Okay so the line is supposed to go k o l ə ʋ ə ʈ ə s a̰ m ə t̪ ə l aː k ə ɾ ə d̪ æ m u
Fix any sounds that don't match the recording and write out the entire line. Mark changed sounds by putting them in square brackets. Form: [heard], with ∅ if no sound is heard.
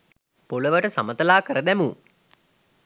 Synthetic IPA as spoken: [p] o l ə ʋ ə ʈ ə s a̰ m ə t̪ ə l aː k ə ɾ ə d̪ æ m u